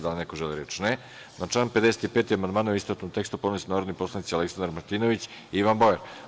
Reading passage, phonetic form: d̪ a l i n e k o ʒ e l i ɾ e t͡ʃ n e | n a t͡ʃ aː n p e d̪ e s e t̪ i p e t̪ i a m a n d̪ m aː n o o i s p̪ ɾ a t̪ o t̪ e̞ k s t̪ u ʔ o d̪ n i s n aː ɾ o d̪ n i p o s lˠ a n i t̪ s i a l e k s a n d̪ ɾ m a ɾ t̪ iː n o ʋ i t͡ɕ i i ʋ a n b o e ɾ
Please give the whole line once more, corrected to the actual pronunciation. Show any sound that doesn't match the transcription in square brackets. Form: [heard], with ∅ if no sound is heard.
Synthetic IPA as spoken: d̪ a l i n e k o ʒ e l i ɾ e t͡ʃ n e | n a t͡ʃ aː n p e d̪ e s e t̪ i p e t̪ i a m a n d̪ m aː n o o i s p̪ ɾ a t̪ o t̪ e̞ k s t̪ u [p] o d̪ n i s n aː ɾ o d̪ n i p o s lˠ a n i t̪ s i a l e k s a n d̪ ɾ m a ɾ t̪ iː n o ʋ i t͡ɕ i i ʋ a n b o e ɾ